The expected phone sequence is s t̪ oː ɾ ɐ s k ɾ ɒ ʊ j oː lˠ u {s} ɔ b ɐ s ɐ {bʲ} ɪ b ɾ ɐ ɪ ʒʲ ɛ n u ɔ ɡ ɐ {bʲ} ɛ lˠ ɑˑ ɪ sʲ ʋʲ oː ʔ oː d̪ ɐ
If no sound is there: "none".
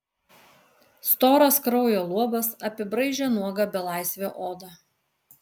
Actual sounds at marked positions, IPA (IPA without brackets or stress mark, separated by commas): none, pʲ, bʲ